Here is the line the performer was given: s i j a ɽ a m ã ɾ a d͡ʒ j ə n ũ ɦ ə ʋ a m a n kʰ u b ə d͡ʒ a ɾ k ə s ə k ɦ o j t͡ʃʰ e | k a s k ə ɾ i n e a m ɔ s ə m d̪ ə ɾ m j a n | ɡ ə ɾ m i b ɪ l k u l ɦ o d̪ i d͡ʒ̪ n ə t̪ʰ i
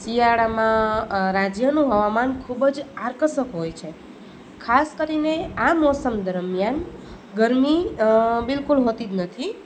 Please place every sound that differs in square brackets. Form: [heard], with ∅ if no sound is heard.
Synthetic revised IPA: s i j a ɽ a m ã ɾ a d͡ʒ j ə n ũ ɦ ə ʋ a m a n kʰ u b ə d͡ʒ a ɾ k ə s ə k ɦ o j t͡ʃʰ e | [kʰ] a s k ə ɾ i n e a m ɔ s ə m d̪ ə ɾ m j a n | ɡ ə ɾ m i b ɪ l k u l ɦ o [t̪] i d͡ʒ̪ n ə t̪ʰ i

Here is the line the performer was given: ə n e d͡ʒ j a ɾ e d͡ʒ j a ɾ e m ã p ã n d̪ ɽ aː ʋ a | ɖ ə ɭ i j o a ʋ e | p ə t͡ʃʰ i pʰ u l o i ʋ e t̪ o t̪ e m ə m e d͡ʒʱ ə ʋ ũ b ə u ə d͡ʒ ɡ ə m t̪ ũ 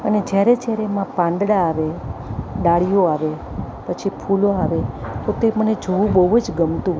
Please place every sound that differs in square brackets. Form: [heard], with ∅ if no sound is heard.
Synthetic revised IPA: ə n e d͡ʒ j a ɾ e d͡ʒ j a ɾ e m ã p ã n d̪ ɽ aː ʋ [e] | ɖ [a] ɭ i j o a ʋ e | p ə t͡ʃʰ i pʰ u l o [a] ʋ e t̪ o t̪ e m ə [n] e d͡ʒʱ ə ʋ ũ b ə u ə d͡ʒ ɡ ə m t̪ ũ

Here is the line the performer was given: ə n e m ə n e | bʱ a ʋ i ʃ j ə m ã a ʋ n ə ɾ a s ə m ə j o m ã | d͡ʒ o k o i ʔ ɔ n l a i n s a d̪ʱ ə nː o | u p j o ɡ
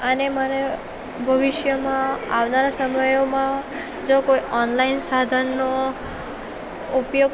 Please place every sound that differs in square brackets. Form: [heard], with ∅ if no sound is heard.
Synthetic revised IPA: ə n e m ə n e | bʱ [ə] ʋ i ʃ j ə m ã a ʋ n [a] ɾ a s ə m ə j o m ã | d͡ʒ o k o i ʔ ɔ n l a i n s a d̪ʱ ə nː o | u p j o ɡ

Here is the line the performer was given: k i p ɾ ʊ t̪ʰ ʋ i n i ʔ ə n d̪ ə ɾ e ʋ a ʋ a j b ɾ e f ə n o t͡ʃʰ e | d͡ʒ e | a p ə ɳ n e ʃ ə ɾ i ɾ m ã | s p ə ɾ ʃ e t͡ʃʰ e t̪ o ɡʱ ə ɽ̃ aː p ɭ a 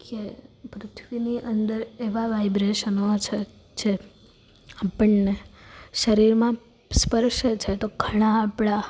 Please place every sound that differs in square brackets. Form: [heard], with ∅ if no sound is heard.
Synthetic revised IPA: k [e] p ɾ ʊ t̪ʰ ʋ i n i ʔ ə n d̪ ə ɾ e ʋ a ʋ a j b ɾ e [ʃ] ə n o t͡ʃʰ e | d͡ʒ e | a p ə ɳ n e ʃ ə ɾ i ɾ m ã | s p ə ɾ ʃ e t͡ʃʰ e t̪ o ɡʱ ə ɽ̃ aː p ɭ a

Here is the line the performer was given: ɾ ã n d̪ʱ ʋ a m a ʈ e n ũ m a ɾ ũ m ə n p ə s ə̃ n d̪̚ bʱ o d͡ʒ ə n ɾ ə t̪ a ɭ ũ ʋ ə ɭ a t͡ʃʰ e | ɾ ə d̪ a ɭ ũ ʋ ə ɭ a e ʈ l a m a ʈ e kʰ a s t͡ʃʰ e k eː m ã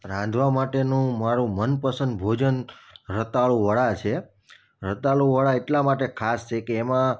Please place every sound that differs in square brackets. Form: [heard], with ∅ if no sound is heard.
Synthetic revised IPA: ɾ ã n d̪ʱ ʋ a m a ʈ e n ũ m a ɾ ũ m ə n p ə s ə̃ n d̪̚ bʱ o d͡ʒ ə n ɾ ə t̪ a ɭ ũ ʋ ə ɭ a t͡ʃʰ e | ɾ ə [t̪] a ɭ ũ ʋ ə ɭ a e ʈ l a m a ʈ e kʰ a s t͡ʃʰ e k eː m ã

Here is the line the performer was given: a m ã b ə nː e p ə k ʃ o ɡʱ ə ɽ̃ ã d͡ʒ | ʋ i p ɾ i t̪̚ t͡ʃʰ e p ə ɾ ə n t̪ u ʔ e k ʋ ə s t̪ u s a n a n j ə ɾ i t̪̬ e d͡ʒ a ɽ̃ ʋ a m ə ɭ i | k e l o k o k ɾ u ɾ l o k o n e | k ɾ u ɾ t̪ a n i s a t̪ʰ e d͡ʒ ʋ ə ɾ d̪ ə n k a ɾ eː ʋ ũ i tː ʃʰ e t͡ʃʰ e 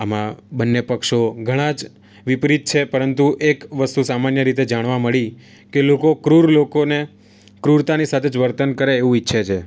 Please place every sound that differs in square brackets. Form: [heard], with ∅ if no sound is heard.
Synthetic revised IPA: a m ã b ə nː e p ə k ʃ o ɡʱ ə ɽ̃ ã d͡ʒ | ʋ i p ɾ i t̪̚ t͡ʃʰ e p ə ɾ ə n t̪ u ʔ e k ʋ ə s t̪ u s a [m] a n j ə ɾ i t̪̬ e d͡ʒ a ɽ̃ ʋ a m ə ɭ i | k e l o k o k ɾ u ɾ l o k o n e | k ɾ u ɾ t̪ a n i s a t̪ʰ e d͡ʒ ʋ ə ɾ [t̪] ə n k [ə] ɾ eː ʋ ũ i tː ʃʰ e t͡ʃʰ e

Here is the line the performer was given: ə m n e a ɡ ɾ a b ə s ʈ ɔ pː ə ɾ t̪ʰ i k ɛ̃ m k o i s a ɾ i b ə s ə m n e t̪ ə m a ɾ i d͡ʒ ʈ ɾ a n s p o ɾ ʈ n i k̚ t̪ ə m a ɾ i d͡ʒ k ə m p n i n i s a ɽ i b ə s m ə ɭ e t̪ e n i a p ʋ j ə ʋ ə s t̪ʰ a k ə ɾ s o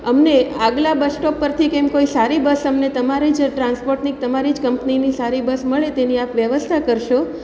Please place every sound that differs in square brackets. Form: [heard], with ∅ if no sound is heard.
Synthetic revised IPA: ə m n e a ɡ [l] a b ə s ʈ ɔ pː ə ɾ t̪ʰ i k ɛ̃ m k o i s a ɾ i b ə s ə m n e t̪ ə m a ɾ i d͡ʒ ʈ ɾ a n s p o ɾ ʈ n i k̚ t̪ ə m a ɾ i d͡ʒ k ə m p n i n i s a [ɾ] i b ə s m ə ɭ e t̪ e n i a p ʋ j ə ʋ ə s t̪ʰ a k ə ɾ [ʃ] o

